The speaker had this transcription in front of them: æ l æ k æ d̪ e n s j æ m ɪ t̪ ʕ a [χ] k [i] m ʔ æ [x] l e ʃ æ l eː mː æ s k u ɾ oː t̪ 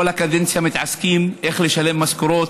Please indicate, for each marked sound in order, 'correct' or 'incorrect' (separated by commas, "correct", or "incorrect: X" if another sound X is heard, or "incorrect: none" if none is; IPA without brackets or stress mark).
incorrect: s, incorrect: iː, correct